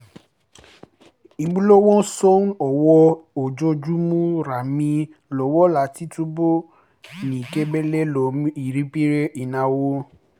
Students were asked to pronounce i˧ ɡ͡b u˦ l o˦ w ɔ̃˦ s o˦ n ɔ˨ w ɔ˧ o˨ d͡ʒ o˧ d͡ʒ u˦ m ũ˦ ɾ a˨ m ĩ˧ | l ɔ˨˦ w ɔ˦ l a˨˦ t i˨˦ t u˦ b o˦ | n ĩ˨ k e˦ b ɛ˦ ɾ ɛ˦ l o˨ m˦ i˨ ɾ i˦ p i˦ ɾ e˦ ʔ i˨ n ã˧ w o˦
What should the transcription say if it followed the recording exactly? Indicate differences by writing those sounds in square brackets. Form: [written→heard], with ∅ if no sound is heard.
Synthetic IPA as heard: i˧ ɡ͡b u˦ l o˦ w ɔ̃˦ s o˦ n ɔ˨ w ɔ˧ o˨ d͡ʒ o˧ d͡ʒ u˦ m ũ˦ ɾ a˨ m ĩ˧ | l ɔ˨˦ w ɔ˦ l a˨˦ t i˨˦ t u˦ b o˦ | n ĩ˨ k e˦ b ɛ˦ [ɾ→l] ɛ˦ l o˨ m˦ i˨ ɾ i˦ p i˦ ɾ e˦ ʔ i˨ n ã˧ w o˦